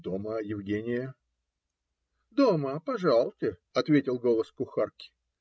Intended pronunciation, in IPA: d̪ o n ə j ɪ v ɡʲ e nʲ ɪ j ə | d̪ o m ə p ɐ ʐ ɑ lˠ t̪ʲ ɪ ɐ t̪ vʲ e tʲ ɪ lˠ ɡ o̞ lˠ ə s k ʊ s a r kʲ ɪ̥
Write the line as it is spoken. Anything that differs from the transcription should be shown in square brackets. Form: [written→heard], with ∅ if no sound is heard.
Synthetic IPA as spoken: d̪ o [n→m] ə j ɪ v ɡʲ e nʲ ɪ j ə | d̪ o m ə p ɐ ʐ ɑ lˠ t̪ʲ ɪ ɐ t̪ vʲ e tʲ ɪ lˠ ɡ o̞ lˠ ə s k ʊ [s→x] a r kʲ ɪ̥